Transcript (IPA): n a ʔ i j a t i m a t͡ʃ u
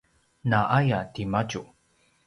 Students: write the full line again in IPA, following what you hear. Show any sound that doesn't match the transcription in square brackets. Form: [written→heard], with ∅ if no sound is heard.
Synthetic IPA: n a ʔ [i→a] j a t i m a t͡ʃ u